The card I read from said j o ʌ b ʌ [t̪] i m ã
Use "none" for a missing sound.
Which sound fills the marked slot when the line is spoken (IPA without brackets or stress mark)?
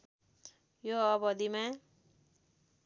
d̪